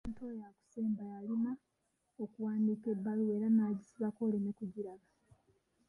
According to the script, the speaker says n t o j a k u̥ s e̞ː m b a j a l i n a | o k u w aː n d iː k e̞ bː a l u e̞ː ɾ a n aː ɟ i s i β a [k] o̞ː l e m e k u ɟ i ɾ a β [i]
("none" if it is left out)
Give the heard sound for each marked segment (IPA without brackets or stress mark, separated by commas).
k, a